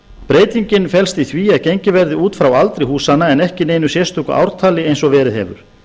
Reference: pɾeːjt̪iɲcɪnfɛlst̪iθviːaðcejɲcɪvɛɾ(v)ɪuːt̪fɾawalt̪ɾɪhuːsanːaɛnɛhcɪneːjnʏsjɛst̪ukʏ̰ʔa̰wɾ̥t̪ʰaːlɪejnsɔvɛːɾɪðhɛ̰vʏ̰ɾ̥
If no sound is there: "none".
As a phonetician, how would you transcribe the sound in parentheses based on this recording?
ð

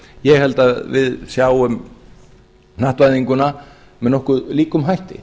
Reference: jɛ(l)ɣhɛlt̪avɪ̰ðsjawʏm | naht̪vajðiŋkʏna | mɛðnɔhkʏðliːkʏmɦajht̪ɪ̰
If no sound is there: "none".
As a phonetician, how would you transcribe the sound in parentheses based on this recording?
none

